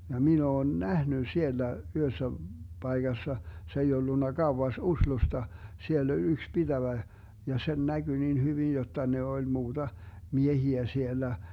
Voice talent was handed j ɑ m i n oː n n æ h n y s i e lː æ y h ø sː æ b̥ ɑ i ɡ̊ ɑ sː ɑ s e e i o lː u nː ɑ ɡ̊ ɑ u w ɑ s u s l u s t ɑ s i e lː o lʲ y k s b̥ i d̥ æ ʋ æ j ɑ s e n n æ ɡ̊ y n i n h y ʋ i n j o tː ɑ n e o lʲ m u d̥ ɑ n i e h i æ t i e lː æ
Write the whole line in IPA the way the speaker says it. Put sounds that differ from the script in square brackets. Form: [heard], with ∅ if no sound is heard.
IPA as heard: j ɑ m i n oː n n æ h n y s i e lː æ y h ø sː æ b̥ ɑ i ɡ̊ ɑ sː ɑ s e e i o lː u nː ɑ ɡ̊ ɑ u w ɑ s u s l u s t ɑ s i e lː o lʲ y k s b̥ i d̥ æ ʋ æ j ɑ s e n n æ ɡ̊ y n i n h y ʋ i n j o tː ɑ n e o lʲ m [uː] d̥ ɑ [m] i e h i æ [s] i e lː æ